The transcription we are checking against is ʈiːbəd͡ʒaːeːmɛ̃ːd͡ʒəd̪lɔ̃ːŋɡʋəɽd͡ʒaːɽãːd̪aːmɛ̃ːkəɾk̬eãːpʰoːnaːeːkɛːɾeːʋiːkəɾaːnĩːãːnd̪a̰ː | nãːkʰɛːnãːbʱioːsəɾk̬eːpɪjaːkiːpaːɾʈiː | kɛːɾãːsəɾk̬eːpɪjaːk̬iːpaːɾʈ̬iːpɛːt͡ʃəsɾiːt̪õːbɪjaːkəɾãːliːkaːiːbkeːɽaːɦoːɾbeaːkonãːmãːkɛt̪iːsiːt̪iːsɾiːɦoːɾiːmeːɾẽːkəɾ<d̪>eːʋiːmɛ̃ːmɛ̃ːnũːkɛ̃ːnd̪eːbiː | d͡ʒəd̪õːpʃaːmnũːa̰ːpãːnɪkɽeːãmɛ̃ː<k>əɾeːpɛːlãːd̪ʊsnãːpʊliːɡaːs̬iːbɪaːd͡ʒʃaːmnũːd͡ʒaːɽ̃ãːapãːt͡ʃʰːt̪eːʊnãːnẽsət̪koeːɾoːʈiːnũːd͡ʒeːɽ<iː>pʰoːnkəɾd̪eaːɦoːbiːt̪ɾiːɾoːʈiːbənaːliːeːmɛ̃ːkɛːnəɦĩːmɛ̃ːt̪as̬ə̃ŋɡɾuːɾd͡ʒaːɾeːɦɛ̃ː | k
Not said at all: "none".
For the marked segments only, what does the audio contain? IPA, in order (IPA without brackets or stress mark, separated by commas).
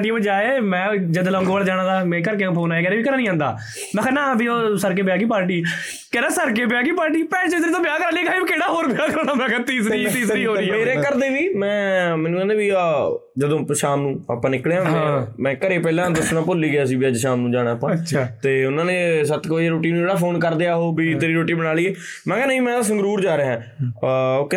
d̪, k, aː